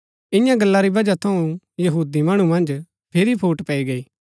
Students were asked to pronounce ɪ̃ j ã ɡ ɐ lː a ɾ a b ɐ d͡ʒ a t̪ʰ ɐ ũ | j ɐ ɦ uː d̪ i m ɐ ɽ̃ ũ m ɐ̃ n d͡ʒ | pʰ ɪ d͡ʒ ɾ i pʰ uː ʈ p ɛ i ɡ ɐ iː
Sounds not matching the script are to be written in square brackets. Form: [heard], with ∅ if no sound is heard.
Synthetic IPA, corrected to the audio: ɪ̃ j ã ɡ ɐ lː a ɾ [i] b ɐ d͡ʒ a t̪ʰ ɐ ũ | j ɐ ɦ uː d̪ i m ɐ ɽ̃ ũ m ɐ̃ n d͡ʒ | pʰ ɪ [∅] ɾ i pʰ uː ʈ p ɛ i ɡ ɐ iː